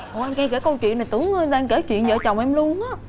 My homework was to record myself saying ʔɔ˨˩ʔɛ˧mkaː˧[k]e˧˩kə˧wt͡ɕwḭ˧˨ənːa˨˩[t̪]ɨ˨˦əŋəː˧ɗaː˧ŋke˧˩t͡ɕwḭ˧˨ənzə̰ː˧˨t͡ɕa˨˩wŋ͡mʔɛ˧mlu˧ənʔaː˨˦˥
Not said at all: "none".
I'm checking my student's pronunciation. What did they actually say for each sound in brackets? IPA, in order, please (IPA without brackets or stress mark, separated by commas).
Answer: k, t̪